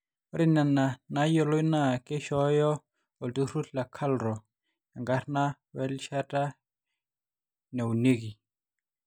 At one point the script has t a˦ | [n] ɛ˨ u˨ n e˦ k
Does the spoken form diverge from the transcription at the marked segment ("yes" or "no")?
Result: no